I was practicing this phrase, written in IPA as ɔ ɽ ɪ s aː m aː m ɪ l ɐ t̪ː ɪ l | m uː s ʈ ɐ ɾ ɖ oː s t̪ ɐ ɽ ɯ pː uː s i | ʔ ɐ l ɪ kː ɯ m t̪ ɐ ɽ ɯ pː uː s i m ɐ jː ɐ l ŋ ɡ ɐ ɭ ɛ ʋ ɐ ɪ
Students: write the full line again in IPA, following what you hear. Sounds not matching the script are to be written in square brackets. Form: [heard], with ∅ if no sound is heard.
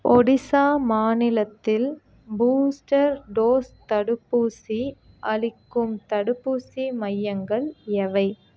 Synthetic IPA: ɔ ɽ ɪ s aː m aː [n] ɪ l ɐ t̪ː ɪ l | [b] uː s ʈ ɐ ɾ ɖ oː s t̪ ɐ ɽ ɯ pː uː s i | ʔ ɐ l ɪ kː ɯ m t̪ ɐ ɽ ɯ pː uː s i m ɐ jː ɐ [∅] ŋ ɡ ɐ ɭ ɛ ʋ ɐ ɪ